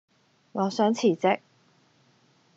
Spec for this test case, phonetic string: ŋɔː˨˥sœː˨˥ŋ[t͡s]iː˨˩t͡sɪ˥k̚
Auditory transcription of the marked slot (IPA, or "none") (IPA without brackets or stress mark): t͡sʰ